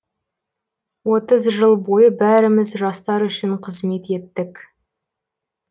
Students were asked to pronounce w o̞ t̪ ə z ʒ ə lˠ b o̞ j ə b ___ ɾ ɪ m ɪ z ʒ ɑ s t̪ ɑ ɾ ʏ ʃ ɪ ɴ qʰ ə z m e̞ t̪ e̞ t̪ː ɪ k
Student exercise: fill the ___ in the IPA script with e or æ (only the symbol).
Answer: æ